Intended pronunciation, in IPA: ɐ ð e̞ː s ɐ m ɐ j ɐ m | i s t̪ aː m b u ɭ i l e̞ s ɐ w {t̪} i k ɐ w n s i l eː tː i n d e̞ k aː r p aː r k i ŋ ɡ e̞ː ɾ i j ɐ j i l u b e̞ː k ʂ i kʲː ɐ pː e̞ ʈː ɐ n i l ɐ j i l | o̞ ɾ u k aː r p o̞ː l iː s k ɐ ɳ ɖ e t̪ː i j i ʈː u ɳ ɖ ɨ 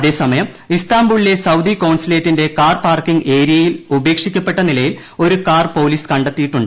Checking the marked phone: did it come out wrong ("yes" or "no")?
yes